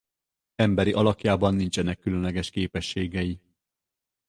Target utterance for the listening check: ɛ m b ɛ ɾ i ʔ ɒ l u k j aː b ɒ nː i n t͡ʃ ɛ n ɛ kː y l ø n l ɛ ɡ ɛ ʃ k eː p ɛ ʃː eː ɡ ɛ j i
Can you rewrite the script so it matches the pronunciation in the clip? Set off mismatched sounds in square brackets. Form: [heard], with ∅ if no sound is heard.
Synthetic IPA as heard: ɛ m b ɛ ɾ i ʔ ɒ l [ɒ] k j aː b ɒ nː i n t͡ʃ ɛ n ɛ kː y l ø n l ɛ ɡ ɛ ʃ k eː p ɛ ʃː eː ɡ ɛ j i